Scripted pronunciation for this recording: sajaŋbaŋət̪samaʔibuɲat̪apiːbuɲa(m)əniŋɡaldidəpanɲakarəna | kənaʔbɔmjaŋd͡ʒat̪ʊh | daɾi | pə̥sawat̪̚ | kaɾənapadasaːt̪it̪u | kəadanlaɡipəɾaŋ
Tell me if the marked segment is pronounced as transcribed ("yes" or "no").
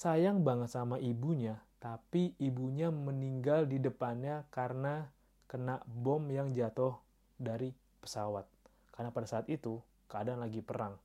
yes